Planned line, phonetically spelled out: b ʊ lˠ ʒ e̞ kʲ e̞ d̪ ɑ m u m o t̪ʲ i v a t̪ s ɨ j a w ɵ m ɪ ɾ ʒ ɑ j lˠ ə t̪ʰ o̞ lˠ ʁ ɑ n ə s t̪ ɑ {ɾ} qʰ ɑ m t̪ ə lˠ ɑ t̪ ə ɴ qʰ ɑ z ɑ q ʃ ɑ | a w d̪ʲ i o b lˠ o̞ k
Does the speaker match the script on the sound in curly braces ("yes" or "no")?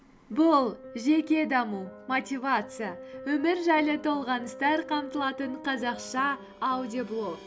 yes